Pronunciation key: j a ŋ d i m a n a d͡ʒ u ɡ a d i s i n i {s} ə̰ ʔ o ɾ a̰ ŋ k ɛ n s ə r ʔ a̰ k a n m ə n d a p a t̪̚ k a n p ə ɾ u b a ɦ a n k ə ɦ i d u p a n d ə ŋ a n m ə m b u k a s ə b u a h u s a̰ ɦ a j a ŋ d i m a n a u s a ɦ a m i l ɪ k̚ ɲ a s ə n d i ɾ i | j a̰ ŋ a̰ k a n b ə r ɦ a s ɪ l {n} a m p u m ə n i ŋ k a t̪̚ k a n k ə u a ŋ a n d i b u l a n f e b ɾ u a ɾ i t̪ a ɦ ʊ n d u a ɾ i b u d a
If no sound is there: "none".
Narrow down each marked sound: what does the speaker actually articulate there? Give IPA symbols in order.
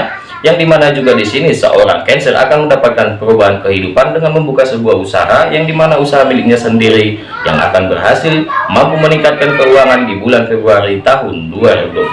s, m

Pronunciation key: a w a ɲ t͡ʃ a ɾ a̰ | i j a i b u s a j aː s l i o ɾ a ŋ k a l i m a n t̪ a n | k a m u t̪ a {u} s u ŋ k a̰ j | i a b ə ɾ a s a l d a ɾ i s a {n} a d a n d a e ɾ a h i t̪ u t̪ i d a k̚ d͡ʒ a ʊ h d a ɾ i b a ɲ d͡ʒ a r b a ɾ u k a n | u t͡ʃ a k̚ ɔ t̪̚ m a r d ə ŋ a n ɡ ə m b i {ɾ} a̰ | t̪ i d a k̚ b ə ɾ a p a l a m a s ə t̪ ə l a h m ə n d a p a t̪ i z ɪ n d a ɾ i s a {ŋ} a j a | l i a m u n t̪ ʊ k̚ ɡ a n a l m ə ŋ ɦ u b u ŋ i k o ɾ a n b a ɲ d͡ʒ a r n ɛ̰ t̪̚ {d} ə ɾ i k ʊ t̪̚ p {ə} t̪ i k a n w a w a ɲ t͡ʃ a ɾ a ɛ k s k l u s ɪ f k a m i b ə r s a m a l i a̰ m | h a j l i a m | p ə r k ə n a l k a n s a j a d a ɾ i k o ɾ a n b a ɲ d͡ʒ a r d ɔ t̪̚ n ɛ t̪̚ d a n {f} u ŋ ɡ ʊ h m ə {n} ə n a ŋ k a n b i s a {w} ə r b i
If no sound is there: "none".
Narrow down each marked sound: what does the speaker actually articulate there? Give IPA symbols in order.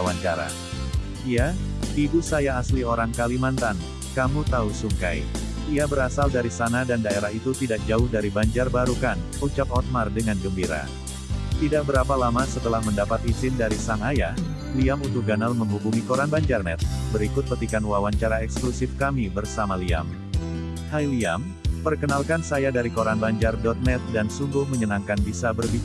u, n, ɾ, ŋ, b, ə, s, ɲ, b

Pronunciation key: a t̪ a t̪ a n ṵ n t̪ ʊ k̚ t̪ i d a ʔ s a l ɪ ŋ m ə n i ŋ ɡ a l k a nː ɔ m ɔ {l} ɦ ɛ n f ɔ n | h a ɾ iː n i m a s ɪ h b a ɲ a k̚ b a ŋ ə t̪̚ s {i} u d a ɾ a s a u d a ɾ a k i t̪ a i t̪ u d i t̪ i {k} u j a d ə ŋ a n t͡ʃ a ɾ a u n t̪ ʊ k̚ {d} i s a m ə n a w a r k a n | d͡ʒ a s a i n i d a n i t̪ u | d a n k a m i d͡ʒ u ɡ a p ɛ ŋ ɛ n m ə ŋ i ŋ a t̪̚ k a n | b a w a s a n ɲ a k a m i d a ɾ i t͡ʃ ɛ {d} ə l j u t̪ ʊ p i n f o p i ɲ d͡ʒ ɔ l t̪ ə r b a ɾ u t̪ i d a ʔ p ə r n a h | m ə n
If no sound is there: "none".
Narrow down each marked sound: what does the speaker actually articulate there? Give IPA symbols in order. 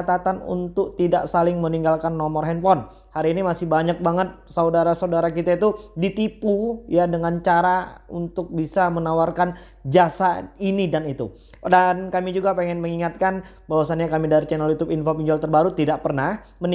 r, a, p, b, n

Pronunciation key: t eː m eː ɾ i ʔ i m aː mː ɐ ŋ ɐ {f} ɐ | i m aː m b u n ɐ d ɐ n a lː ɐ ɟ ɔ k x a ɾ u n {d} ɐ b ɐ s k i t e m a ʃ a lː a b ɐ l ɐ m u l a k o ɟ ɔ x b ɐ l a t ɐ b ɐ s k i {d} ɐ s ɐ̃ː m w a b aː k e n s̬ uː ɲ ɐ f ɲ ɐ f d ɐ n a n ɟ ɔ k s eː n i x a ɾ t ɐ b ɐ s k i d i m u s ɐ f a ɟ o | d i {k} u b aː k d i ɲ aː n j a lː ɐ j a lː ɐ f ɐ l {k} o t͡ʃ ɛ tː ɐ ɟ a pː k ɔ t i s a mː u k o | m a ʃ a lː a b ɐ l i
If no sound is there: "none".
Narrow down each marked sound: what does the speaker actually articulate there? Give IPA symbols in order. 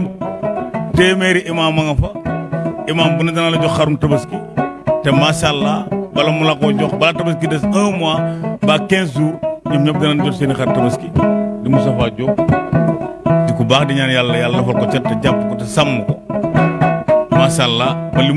f, t, d, k, k

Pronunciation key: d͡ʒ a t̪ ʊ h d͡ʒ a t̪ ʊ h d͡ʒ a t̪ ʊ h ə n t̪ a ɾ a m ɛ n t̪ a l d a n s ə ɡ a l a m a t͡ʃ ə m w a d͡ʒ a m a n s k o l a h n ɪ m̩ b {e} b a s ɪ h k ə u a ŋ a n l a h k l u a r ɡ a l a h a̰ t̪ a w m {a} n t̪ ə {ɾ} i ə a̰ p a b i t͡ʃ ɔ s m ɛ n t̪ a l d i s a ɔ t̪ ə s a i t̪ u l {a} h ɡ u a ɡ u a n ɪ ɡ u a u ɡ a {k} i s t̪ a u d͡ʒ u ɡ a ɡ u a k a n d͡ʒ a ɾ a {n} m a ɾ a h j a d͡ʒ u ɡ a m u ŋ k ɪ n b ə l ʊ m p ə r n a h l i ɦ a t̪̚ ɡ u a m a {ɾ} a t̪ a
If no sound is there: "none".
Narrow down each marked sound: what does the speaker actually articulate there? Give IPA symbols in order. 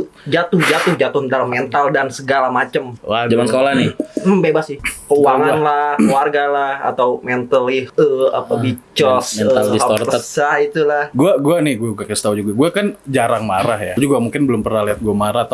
e, ɛ, l, a, k, ŋ, ɾ

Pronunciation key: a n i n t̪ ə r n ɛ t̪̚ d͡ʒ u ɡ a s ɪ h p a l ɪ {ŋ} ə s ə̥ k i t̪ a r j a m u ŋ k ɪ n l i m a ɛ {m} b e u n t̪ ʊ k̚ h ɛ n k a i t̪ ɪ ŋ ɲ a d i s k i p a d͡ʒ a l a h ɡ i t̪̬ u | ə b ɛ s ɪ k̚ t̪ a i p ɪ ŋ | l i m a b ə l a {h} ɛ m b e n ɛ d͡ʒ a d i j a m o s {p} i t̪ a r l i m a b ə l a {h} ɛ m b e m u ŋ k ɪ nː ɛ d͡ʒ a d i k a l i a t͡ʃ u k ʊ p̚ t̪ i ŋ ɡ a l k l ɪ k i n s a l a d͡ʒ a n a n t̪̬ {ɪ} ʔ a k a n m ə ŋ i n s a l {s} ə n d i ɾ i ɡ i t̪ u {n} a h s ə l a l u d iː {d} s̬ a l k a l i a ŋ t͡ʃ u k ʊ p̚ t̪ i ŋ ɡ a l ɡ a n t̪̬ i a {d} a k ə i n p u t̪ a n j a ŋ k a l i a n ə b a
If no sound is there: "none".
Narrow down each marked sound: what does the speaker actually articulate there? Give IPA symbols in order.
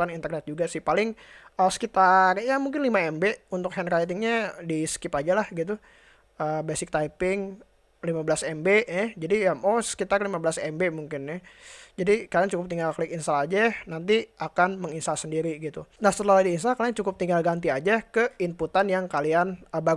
ŋ, m, s, k, s, i, s, n, n, d͡ʒ

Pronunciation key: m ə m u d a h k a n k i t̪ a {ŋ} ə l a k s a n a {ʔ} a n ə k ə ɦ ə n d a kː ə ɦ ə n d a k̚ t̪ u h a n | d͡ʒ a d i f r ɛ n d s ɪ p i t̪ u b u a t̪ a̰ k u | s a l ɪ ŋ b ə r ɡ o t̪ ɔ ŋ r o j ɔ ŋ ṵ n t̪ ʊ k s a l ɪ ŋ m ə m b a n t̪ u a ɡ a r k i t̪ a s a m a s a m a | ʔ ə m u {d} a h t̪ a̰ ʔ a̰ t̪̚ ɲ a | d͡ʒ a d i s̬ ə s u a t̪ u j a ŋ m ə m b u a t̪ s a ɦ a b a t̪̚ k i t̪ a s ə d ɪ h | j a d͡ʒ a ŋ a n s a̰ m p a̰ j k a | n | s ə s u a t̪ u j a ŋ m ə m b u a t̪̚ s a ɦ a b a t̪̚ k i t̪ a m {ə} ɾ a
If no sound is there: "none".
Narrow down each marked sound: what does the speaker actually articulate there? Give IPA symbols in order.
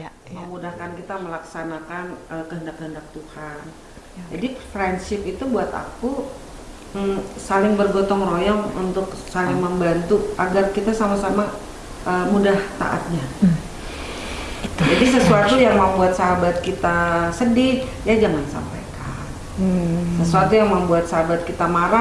m, k, d, a

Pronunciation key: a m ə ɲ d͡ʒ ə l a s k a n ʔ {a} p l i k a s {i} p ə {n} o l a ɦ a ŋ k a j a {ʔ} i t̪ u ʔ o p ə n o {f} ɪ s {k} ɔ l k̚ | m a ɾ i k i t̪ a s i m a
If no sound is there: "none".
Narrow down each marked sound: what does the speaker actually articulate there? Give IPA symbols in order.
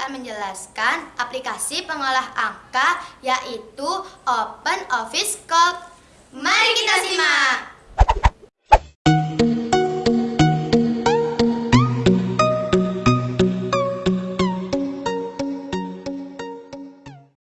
a, i, ŋ, ʔ, f, k

